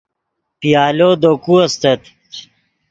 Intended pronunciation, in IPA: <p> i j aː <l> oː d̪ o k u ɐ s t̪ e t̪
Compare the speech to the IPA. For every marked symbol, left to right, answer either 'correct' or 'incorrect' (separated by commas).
correct, correct